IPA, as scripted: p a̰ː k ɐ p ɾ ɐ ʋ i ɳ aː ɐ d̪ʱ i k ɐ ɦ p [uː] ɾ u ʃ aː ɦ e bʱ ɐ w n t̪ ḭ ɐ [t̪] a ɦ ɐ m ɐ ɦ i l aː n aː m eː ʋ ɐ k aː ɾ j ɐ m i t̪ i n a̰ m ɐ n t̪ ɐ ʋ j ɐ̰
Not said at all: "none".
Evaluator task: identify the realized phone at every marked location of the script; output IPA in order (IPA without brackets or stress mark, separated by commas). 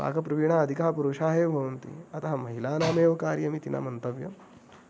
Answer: u, t̪